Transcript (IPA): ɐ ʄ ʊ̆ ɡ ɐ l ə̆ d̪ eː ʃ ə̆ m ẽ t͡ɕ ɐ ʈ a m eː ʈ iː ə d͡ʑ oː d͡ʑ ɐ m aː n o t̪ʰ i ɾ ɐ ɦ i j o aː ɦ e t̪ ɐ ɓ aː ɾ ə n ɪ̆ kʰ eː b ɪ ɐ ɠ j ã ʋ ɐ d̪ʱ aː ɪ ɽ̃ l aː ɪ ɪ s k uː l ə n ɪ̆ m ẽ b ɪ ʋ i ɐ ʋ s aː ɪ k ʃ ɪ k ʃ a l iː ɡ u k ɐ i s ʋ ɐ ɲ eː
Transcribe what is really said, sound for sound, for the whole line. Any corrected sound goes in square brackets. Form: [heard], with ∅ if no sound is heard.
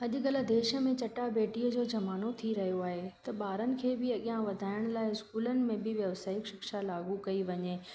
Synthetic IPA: ɐ ʄ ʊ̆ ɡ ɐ l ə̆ d̪ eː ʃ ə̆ m ẽ t͡ɕ ɐ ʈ a [b] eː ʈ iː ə d͡ʑ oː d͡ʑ ɐ m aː n o t̪ʰ i ɾ ɐ ɦ i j o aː ɦ e t̪ ɐ ɓ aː ɾ ə n ɪ̆ kʰ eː b ɪ ɐ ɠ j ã ʋ ɐ d̪ʱ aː ɪ ɽ̃ l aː ɪ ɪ s k uː l ə n ɪ̆ m ẽ b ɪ ʋ [j] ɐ ʋ s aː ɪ k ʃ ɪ k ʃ a l [aː] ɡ u k ɐ i [∅] ʋ ɐ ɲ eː